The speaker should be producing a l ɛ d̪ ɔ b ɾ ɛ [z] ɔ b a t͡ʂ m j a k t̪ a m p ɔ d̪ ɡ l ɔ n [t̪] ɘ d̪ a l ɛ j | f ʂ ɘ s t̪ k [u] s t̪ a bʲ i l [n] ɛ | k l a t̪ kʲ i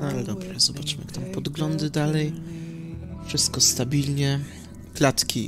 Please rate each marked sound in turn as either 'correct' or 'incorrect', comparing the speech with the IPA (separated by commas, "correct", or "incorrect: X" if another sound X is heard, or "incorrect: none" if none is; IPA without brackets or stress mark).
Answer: correct, incorrect: d̪, incorrect: ɔ, incorrect: ɲ